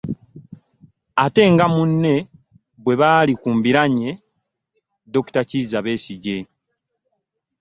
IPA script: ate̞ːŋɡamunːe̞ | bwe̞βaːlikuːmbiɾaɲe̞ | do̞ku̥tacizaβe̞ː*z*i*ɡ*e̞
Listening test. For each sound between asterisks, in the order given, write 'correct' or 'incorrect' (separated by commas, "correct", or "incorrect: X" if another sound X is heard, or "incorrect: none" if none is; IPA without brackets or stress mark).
incorrect: s, incorrect: ɟ